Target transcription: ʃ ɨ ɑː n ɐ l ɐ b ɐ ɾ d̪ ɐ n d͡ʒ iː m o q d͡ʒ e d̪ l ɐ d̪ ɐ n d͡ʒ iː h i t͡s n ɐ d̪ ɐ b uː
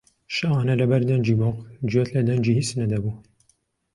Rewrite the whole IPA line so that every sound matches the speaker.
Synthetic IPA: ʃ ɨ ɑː n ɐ l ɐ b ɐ ɾ d̪ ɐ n d͡ʒ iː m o q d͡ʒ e t̪ l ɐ d̪ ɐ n d͡ʒ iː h i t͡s n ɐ d̪ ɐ b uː